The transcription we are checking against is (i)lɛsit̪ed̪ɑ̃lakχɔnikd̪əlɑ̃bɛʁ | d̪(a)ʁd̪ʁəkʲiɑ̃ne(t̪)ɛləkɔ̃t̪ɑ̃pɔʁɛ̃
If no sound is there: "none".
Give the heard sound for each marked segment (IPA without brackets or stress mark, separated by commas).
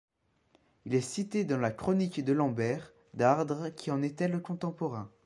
i, a, t̪